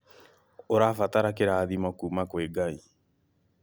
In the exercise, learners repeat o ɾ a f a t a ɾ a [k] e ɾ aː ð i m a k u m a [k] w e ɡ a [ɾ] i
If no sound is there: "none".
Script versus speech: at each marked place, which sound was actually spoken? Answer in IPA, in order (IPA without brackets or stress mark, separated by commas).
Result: k, k, none